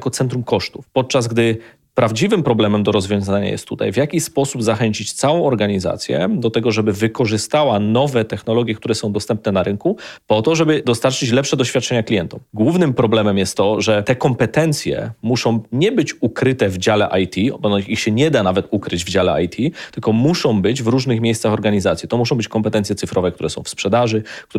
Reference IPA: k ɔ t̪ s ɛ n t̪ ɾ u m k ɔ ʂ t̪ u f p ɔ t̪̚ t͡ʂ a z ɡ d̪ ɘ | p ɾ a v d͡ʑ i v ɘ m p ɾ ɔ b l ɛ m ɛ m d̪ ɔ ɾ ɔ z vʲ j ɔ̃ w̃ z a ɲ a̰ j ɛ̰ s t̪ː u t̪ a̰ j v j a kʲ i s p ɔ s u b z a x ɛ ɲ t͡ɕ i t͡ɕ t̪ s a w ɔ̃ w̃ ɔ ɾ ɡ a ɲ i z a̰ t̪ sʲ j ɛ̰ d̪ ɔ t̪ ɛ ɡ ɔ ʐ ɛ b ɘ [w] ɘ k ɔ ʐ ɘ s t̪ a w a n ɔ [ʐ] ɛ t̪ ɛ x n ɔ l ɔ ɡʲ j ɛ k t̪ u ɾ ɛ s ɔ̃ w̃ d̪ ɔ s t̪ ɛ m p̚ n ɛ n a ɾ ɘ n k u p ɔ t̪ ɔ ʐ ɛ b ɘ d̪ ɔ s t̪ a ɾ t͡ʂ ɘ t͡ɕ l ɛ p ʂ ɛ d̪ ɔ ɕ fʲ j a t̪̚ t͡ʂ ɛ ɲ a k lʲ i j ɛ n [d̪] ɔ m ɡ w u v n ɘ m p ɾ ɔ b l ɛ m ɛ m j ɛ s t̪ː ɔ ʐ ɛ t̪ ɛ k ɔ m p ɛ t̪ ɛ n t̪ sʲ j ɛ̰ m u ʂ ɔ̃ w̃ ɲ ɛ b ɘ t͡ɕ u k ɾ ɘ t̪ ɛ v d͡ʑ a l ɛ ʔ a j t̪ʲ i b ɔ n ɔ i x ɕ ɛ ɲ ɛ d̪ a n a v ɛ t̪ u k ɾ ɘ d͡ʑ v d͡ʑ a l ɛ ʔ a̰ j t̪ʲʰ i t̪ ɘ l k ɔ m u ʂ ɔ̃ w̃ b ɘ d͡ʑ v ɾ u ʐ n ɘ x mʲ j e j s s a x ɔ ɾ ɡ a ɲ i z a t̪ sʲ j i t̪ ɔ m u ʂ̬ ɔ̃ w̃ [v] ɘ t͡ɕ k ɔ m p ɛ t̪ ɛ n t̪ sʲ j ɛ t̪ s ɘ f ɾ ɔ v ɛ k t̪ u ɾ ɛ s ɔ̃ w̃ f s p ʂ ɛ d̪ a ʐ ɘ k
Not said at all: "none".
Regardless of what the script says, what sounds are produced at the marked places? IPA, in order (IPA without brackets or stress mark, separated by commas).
v, v, t̪, b